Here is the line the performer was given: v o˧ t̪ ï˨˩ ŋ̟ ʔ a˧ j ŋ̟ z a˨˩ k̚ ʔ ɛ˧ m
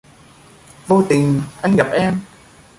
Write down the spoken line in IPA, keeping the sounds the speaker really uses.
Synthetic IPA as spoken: v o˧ t̪ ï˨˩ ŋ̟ ʔ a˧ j ŋ̟ ɣ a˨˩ p̚ ʔ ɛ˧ m